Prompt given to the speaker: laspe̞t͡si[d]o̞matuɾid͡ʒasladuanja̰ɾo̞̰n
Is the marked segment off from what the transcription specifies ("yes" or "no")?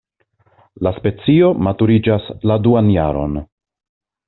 yes